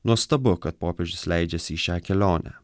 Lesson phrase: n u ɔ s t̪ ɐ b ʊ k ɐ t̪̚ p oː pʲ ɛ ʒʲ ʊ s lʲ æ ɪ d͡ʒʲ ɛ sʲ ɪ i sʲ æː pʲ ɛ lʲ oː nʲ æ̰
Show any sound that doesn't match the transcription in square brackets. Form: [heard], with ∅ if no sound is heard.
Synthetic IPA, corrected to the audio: n u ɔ s t̪ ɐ b ʊ k ɐ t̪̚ p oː pʲ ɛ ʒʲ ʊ s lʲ æ ɪ d͡ʒʲ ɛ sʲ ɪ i [ʃʲ] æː [kʲ] ɛ lʲ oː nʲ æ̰